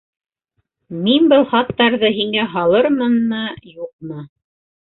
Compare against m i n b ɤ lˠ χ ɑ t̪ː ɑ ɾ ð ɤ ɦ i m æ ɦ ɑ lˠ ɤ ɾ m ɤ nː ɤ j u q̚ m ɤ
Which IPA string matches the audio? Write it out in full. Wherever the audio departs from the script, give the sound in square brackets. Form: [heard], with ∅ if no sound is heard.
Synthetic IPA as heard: m i n b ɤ lˠ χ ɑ t̪ː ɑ ɾ ð ɤ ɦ i [ŋ] æ ɦ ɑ lˠ ɤ ɾ m ɤ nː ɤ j u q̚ m ɤ